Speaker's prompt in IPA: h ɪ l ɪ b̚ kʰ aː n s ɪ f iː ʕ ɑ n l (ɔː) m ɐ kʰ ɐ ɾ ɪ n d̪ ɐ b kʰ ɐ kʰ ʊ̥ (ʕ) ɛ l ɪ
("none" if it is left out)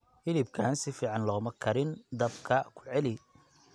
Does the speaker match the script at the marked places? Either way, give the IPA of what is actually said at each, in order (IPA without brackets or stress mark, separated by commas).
ɔː, ʕ